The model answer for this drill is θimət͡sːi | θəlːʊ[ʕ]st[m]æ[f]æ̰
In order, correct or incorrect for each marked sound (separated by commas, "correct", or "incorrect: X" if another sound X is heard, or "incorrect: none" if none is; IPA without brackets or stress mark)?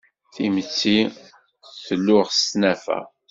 incorrect: ʁ, incorrect: n, correct